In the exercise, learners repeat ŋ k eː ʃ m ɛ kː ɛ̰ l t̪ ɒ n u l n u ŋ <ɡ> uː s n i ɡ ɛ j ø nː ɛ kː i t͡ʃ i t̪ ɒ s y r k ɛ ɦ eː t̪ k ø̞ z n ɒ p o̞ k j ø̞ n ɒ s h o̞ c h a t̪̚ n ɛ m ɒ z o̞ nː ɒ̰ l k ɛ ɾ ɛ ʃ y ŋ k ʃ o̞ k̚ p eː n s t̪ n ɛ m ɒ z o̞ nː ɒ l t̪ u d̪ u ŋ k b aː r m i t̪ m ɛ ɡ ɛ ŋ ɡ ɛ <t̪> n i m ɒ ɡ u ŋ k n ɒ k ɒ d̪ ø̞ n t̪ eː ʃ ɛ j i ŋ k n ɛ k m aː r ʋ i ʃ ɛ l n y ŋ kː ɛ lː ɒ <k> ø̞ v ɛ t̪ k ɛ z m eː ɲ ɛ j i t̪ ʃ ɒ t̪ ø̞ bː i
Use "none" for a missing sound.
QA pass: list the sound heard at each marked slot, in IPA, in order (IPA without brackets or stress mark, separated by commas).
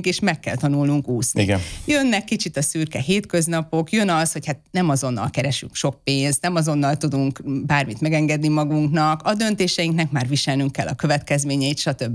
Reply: k, d̪, k